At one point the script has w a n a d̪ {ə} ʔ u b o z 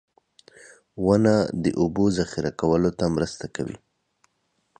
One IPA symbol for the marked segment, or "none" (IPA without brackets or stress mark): ə